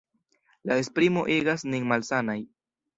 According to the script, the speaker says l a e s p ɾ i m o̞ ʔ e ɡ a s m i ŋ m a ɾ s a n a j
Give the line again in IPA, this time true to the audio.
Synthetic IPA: l a e s p ɾ i m o̞ ʔ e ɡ a s n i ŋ m a l s a n a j